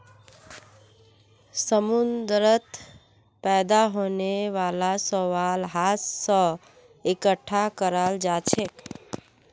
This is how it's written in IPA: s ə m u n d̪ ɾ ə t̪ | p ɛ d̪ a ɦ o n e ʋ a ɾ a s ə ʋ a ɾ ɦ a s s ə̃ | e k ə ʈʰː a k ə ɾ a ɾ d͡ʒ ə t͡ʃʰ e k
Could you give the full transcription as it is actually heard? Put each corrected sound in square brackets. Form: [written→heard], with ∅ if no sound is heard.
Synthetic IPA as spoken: s ə m u n d̪ ɾ ə t̪ | p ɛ d̪ a ɦ o n e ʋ a [ɾ→l] a s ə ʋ a [ɾ→l] ɦ a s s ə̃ | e k ə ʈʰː a k ə ɾ a [ɾ→l] d͡ʒ [ə→a] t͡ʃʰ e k